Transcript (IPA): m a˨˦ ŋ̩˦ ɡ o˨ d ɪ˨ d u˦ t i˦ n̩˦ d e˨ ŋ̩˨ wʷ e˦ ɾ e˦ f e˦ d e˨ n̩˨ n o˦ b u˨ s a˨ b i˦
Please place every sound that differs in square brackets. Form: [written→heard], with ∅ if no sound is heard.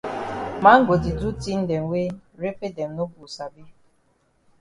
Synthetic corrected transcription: m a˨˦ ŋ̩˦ ɡ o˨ d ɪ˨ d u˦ t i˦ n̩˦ d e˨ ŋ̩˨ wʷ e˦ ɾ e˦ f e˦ d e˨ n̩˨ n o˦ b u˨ s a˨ b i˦

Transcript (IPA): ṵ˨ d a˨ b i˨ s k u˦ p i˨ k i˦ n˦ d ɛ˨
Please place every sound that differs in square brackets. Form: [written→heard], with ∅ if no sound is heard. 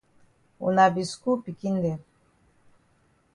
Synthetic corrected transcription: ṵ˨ [d→n] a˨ b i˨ s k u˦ p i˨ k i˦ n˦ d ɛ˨

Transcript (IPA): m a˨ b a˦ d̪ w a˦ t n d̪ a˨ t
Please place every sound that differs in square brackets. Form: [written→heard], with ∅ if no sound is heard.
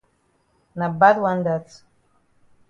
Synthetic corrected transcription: [m→n] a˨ b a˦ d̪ w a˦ [t→∅] n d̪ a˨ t

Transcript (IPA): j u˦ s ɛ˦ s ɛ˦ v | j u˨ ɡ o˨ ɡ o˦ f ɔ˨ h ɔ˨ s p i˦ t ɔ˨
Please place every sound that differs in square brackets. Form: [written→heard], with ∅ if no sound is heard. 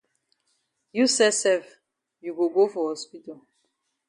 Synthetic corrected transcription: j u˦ s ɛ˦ s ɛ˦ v | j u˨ ɡ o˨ ɡ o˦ f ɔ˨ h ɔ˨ s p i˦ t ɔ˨

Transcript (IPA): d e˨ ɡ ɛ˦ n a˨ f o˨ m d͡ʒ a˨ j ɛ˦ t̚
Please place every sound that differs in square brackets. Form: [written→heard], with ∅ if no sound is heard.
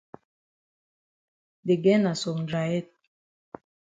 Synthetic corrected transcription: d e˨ ɡ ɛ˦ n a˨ [f→s] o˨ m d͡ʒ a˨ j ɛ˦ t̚

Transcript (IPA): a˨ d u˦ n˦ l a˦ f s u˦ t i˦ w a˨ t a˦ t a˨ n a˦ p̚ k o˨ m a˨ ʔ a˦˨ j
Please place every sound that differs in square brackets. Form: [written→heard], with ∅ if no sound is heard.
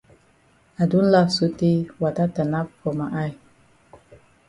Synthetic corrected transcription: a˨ d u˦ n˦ l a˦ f s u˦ t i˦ w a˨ t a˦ t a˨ n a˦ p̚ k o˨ m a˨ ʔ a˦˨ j

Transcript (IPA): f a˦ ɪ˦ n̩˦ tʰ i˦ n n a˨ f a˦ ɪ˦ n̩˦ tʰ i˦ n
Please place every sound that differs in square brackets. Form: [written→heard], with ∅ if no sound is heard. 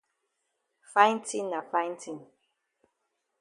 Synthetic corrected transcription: f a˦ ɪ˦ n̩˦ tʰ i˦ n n a˨ f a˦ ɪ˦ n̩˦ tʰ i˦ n

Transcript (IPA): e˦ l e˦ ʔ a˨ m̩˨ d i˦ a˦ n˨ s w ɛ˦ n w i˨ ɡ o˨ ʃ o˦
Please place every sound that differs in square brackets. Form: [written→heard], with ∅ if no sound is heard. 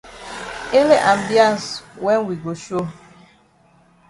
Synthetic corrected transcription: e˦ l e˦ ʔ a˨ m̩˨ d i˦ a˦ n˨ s w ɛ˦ n w i˨ ɡ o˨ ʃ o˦

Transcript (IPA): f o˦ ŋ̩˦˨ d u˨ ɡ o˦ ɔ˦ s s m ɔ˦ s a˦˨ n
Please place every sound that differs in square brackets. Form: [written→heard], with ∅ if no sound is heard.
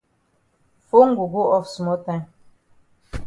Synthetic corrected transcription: f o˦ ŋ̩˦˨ [d→ɡ] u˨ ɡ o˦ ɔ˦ [s→f] s m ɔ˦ [s→t] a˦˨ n

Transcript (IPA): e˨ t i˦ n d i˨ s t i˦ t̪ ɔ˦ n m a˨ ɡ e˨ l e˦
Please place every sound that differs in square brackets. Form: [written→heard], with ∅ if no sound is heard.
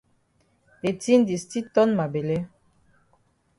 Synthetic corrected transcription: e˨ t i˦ n d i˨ s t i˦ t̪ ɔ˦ n m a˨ [ɡ→b] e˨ l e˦

